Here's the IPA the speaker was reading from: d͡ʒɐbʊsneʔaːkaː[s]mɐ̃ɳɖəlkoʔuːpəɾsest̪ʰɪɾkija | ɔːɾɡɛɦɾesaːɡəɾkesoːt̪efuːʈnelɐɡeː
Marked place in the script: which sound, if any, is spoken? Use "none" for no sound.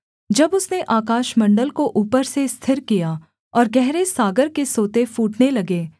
ʃ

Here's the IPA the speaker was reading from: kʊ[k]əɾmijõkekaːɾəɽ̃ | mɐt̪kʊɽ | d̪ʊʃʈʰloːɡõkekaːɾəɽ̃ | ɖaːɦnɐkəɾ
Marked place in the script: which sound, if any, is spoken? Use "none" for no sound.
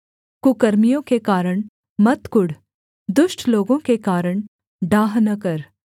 k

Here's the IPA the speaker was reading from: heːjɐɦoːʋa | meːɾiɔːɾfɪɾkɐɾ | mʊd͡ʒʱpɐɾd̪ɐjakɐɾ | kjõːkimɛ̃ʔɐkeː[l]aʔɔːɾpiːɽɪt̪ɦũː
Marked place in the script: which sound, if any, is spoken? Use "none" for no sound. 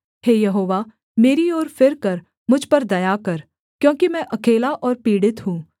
l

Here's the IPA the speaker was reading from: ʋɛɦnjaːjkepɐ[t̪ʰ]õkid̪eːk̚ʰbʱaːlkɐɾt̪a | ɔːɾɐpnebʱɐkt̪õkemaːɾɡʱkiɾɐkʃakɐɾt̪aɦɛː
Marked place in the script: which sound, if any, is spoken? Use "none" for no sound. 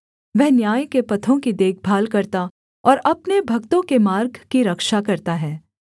t̪ʰ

